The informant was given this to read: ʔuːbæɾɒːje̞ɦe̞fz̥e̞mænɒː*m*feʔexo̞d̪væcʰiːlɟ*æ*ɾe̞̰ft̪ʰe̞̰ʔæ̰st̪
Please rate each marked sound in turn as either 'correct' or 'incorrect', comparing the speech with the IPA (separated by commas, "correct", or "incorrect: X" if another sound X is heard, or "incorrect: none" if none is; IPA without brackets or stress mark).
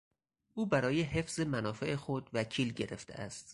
incorrect: none, incorrect: e